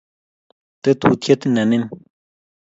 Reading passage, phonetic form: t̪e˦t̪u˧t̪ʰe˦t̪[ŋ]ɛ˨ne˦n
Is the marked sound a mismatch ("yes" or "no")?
yes